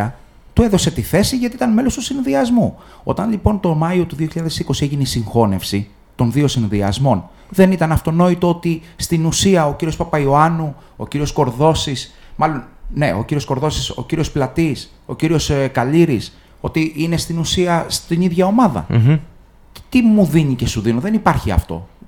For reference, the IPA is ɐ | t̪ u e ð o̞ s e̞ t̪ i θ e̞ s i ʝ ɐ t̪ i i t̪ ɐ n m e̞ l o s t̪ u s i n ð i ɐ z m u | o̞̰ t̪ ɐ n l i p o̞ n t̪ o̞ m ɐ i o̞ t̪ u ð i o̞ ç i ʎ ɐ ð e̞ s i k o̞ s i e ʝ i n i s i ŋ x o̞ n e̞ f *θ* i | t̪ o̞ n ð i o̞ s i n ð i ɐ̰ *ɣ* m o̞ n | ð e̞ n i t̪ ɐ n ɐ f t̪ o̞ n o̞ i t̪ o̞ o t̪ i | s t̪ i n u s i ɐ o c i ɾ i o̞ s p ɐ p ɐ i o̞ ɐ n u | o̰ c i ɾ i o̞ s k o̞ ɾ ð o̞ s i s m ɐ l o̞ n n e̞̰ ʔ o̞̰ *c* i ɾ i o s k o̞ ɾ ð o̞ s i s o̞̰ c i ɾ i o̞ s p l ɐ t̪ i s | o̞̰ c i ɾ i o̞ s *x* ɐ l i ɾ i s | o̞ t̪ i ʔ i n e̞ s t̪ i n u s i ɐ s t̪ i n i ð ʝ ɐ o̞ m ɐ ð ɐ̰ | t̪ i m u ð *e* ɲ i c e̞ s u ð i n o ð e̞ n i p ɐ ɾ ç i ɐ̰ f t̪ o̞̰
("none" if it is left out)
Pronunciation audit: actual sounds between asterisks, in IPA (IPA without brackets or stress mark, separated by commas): s, z, c, k, i